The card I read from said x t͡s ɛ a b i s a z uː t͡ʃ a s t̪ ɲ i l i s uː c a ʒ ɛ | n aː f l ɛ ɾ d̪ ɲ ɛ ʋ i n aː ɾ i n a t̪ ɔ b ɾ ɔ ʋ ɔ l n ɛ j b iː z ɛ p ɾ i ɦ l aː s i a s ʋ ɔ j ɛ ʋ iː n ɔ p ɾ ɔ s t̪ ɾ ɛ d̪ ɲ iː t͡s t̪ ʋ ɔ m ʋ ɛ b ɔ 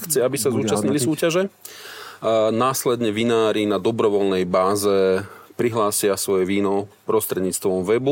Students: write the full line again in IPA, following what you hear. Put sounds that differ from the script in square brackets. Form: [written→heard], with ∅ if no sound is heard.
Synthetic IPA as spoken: x t͡s ɛ a b i s a z uː t͡ʃ a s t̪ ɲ i l i s uː c a ʒ ɛ | n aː [f→s] l ɛ [ɾ→∅] d̪ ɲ ɛ ʋ i n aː ɾ i n a [t̪→d̪] ɔ b ɾ ɔ ʋ ɔ l n ɛ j b [iː→aː] z ɛ p ɾ i ɦ l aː s [i→ɪ] a s ʋ ɔ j ɛ ʋ iː n ɔ p ɾ ɔ s t̪ ɾ ɛ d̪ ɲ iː t͡s t̪ ʋ ɔ m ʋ ɛ b [ɔ→u]